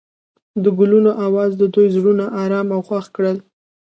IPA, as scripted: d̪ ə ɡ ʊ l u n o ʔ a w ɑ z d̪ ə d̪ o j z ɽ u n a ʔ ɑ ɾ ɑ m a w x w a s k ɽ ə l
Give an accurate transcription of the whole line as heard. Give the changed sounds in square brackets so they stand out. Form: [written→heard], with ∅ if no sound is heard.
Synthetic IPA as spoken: d̪ ə ɡ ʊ l u n o ʔ a w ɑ z d̪ ə d̪ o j z ɽ u n a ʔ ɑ ɾ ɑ m a w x w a [s→x] k ɽ ə l